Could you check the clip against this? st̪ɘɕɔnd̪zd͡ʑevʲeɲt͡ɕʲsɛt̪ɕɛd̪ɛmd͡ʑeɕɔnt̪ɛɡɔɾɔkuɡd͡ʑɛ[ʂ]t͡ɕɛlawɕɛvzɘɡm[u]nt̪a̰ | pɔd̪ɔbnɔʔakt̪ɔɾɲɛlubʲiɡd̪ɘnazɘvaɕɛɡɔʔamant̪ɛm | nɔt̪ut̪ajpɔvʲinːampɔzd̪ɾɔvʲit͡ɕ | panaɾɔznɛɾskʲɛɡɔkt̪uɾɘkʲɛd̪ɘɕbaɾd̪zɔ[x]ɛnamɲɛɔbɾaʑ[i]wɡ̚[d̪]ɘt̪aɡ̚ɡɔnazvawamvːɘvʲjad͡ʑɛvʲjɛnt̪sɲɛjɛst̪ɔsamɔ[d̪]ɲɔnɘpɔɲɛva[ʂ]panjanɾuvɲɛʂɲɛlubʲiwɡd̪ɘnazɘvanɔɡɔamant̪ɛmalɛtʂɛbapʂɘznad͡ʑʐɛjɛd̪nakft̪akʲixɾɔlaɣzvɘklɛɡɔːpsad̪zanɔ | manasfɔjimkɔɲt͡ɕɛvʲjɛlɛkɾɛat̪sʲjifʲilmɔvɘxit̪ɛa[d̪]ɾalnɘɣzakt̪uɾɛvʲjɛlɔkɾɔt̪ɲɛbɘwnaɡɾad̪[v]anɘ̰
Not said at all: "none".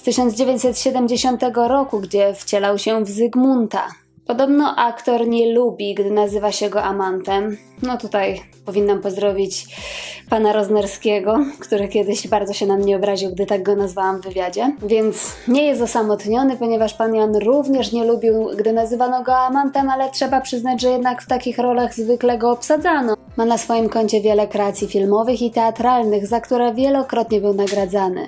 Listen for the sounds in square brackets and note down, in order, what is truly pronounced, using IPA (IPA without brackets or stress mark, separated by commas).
f, u, ɕ, i, d̪, t̪, ʂ, t̪, z